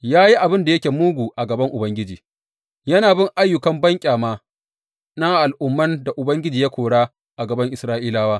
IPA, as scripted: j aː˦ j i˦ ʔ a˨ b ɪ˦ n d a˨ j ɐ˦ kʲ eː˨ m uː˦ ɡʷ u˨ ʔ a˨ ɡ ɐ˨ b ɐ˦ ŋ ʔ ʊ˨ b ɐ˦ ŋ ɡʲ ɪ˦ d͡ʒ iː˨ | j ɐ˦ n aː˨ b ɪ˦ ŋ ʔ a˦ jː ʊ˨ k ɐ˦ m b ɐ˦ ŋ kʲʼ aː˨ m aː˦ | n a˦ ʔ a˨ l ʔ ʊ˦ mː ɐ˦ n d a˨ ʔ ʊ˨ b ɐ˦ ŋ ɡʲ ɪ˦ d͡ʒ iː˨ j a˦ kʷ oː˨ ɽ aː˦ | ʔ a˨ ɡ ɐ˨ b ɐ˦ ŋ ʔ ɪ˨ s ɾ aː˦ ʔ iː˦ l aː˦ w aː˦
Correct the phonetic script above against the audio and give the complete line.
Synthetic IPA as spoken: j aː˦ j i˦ ʔ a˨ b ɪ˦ n d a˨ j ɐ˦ kʲ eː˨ m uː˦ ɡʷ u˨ ʔ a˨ ɡ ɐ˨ b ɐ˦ ŋ ʔ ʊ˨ b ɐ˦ ŋ ɡʲ ɪ˦ d͡ʒ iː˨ | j ɐ˦ n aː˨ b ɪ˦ ŋ ʔ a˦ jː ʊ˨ k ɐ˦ m b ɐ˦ ŋ kʲʼ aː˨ m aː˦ | n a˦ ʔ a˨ l ʔ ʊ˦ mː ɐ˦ n d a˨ ʔ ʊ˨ b ɐ˦ ŋ ɡʲ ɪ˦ d͡ʒ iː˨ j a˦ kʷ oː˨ ɽ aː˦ | ʔ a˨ ɡ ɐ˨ b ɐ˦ ŋ ʔ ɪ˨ s ɾ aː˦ ʔ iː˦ l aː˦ w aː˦